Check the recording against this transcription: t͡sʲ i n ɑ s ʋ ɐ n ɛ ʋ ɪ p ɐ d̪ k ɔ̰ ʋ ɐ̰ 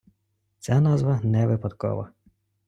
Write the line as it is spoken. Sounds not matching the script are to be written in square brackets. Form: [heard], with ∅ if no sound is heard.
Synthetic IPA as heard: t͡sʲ [a] n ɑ [z] ʋ ɐ n ɛ ʋ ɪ p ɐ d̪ k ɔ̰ ʋ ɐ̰